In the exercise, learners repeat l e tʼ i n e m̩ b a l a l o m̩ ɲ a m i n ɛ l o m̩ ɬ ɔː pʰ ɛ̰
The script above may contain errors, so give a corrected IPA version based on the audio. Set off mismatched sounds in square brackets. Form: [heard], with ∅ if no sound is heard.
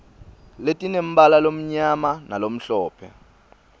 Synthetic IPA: l e tʼ i n e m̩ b a l a l o m̩ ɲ a m [a] n [a] l o m̩ ɬ ɔː pʰ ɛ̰